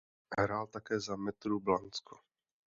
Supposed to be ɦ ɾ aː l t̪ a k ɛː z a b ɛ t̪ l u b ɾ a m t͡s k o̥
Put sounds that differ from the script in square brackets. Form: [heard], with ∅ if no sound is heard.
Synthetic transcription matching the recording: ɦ ɾ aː l t̪ a k ɛː z a [m] ɛ t̪ [ɾ] u b [l] a [n] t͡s k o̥